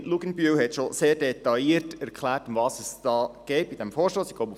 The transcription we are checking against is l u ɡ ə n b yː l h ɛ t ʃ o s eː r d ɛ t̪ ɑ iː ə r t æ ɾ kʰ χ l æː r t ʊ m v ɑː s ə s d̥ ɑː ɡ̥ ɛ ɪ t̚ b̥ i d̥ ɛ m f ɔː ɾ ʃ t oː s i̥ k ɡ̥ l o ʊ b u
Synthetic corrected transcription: l u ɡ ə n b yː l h ɛ t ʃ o s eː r d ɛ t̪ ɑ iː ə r t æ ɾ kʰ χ l æː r t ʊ m v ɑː s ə s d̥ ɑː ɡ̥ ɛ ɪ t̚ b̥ i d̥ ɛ m f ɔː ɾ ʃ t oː s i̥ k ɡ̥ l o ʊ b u